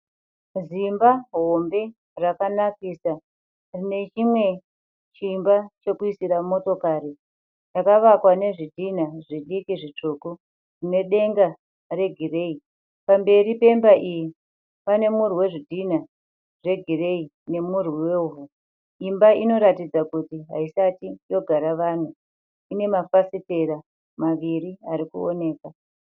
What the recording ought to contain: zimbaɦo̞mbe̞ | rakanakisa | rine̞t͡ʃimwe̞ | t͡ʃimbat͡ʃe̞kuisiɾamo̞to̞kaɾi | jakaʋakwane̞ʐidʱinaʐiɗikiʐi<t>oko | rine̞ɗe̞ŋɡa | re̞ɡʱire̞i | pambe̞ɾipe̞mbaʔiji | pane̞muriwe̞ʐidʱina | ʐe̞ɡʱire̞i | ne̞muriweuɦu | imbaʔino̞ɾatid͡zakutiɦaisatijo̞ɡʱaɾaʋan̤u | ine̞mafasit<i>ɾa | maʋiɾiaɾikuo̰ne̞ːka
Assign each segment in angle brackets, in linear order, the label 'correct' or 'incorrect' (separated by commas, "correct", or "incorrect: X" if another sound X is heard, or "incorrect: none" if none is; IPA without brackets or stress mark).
incorrect: t͡ʂ, incorrect: e